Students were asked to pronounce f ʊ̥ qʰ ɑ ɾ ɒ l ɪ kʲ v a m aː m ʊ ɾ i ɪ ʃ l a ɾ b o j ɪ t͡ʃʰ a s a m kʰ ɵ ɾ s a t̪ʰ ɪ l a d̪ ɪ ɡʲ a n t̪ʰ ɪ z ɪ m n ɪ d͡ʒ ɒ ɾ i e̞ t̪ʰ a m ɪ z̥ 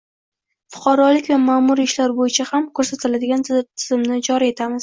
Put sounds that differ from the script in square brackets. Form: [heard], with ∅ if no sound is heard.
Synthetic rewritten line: f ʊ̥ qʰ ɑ ɾ ɒ l ɪ kʲ v a m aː m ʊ ɾ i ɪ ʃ l a ɾ b o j ɪ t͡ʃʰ a [h] a m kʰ ɵ ɾ s a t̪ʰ ɪ l a d̪ ɪ ɡʲ a n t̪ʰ ɪ z ɪ m n ɪ d͡ʒ ɒ ɾ i e̞ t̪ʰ a m ɪ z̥